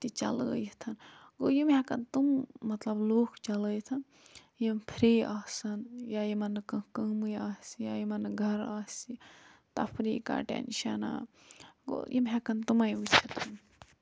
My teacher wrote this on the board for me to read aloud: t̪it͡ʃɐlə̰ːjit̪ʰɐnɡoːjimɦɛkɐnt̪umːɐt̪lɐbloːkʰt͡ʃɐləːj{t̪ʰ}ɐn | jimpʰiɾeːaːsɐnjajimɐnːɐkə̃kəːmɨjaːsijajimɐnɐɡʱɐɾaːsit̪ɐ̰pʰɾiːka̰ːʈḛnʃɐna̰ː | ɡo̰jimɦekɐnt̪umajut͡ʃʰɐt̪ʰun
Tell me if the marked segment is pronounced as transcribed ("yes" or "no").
yes